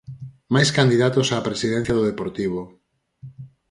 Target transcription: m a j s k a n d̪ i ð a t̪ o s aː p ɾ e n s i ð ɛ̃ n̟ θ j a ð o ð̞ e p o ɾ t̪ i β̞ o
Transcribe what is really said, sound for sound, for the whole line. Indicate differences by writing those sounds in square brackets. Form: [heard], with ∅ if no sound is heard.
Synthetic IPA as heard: m a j s k a n d̪ i ð a t̪ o s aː p ɾ e [∅] s i ð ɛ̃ n̟ θ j a ð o ð̞ e p o ɾ t̪ i β̞ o